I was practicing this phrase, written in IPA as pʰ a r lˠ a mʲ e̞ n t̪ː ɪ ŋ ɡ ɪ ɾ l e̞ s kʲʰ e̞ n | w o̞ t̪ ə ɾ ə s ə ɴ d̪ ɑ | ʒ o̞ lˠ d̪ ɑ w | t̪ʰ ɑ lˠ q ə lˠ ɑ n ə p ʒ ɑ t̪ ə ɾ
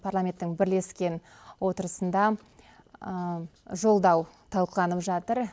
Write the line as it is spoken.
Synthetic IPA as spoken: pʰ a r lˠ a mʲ e̞ n t̪ː ɪ ŋ b ɪ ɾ l e̞ s kʲ e̞ n | w o̞ t̪ ə ɾ ə s ə n d̪ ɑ | ʒ o̞ lˠ d̪ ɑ w | t̪ʰ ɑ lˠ q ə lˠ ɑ n ə p ʒ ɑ t̪ ə ɾ